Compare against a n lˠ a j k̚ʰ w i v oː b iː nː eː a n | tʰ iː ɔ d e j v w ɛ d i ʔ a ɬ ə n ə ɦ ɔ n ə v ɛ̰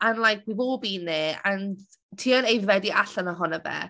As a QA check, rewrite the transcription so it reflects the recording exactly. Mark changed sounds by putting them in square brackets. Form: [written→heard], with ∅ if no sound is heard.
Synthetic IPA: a n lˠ a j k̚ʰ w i v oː b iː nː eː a n | tʰ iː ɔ [d→n] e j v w ɛ d i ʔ a ɬ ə n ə ɦ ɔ n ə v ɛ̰